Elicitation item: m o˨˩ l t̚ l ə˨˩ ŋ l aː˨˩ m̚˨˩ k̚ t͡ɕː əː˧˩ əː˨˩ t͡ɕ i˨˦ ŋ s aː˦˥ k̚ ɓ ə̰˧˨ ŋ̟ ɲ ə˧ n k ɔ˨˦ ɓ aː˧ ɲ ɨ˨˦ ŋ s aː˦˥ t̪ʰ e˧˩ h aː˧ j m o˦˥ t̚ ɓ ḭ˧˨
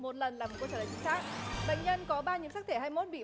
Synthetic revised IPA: m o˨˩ t̚ l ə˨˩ n l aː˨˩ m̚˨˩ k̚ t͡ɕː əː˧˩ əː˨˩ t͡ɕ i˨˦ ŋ s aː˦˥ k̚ ɓ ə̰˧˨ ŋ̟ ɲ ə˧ n k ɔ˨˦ ɓ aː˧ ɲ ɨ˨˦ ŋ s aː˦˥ t̪ʰ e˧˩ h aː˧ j m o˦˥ t̚ ɓ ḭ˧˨